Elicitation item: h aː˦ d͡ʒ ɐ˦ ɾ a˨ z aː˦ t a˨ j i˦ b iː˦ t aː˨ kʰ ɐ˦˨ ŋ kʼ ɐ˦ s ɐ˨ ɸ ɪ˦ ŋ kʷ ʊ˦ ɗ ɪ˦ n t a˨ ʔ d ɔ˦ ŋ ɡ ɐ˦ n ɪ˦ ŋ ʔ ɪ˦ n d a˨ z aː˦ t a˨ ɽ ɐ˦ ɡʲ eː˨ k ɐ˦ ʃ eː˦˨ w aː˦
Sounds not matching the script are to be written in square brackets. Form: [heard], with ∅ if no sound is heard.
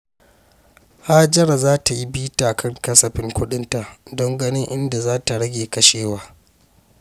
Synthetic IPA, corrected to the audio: h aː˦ d͡ʒ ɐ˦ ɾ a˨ z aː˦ t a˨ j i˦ b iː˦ t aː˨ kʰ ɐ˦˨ ŋ [k] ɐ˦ s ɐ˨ ɸ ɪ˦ ŋ kʷ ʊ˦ ɗ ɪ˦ n t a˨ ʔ d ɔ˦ ŋ ɡ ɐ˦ n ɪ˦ ŋ ʔ ɪ˦ n d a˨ z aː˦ t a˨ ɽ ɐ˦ ɡʲ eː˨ k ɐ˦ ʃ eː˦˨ w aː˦